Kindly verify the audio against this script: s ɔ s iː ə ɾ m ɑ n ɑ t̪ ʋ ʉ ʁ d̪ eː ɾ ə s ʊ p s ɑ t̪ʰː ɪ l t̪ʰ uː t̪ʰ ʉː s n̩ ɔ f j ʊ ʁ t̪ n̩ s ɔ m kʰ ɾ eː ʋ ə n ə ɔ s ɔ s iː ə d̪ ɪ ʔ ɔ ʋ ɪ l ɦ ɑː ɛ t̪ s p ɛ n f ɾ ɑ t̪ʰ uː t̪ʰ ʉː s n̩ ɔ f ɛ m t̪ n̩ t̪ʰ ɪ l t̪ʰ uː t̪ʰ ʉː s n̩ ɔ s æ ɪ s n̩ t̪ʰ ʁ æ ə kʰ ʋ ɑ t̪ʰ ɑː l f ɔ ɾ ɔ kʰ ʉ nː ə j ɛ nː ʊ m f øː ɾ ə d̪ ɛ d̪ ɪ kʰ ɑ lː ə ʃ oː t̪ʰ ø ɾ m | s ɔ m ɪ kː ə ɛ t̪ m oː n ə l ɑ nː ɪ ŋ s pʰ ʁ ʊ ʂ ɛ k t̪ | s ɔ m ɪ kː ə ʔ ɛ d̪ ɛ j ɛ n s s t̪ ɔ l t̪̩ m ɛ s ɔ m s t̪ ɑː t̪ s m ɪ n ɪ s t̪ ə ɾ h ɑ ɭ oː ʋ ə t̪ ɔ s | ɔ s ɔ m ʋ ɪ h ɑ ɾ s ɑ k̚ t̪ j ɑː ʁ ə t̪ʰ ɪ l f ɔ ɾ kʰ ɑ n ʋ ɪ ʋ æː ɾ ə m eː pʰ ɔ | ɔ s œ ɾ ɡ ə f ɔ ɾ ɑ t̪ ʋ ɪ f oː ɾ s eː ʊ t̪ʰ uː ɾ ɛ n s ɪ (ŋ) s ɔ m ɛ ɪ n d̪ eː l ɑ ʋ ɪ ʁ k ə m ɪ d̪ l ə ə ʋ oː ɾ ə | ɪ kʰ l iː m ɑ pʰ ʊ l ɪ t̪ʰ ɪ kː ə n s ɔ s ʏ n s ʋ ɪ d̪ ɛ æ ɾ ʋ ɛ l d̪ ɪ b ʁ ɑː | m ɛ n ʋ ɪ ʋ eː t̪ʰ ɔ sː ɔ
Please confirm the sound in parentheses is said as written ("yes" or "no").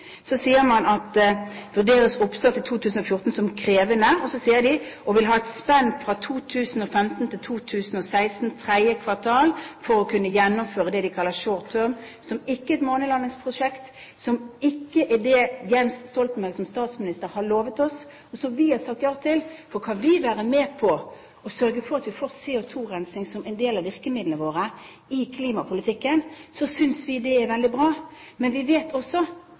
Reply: yes